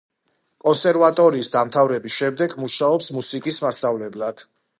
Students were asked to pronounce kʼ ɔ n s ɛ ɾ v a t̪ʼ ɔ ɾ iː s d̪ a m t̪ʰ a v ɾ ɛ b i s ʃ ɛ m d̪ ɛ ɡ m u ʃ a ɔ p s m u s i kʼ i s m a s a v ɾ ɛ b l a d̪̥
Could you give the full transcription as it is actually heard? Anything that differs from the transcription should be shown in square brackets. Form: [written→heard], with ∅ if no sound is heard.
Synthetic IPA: kʼ ɔ n s ɛ ɾ v a t̪ʼ ɔ ɾ iː s d̪ a m t̪ʰ a v ɾ ɛ b i s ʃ ɛ m d̪ ɛ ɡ m u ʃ a ɔ p s m u s i kʼ i s m a s a v [ɾ→l] ɛ b l a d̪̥